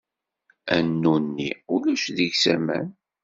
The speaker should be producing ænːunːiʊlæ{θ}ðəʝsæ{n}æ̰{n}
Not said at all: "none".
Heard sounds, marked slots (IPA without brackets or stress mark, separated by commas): ʃ, m, n